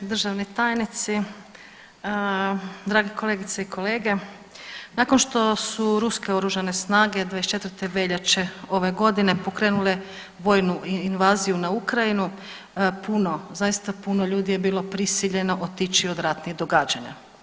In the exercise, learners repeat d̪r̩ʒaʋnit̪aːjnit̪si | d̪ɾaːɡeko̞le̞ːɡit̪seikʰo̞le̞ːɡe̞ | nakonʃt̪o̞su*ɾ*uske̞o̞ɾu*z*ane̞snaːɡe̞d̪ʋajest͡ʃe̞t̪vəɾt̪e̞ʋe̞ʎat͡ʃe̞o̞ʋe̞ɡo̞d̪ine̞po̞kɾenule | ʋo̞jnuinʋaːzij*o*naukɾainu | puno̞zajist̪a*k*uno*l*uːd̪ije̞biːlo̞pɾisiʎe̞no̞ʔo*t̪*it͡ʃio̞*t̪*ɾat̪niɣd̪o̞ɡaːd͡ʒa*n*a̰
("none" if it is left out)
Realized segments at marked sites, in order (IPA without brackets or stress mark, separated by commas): ɾ, ʒ, u, p, ʎ, t̪, d̪, ɲ